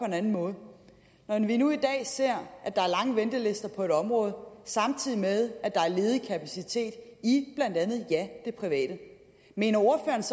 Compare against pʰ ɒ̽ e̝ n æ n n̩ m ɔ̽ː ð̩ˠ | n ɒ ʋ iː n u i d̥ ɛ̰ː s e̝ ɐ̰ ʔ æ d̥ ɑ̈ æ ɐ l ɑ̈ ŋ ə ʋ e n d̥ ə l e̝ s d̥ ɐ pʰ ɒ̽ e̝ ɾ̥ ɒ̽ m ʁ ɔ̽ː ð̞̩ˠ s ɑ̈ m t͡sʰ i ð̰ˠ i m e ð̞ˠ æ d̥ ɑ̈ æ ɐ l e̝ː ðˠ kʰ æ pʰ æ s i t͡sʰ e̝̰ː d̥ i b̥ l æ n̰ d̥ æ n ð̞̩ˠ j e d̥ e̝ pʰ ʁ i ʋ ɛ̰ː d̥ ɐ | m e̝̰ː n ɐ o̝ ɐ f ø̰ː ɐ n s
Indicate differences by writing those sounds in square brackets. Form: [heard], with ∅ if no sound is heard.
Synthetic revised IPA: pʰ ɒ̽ e̝ n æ n n̩ m ɔ̽ː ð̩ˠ | n ɒ ʋ [i] n u i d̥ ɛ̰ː s e̝ ɐ̰ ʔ æ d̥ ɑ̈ æ ɐ l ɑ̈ ŋ ə ʋ e n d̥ ə l e̝ s d̥ ɐ pʰ ɒ̽ e̝ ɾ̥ ɒ̽ m ʁ ɔ̽ː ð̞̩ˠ s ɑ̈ m t͡sʰ i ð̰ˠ i m e ð̞ˠ æ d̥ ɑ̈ æ ɐ l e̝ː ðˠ kʰ æ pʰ æ s i t͡sʰ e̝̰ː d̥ i b̥ l æ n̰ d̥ æ n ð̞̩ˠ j [æ] d̥ e̝ pʰ ʁ i ʋ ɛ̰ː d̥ [ə] | m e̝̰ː n ɐ o̝ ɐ f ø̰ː ɐ n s